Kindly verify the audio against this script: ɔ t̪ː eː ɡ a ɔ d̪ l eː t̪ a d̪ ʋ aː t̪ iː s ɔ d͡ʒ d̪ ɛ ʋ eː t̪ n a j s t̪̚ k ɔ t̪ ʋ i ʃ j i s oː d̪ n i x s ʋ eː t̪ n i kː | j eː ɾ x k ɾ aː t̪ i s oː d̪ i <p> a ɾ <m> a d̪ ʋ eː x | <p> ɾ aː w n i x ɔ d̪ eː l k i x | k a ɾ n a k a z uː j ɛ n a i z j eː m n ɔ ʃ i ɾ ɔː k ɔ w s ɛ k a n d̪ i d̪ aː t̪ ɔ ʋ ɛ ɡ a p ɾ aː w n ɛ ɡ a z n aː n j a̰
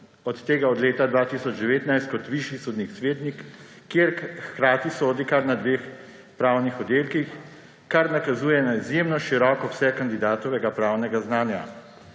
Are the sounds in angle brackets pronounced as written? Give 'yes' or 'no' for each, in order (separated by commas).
no, no, yes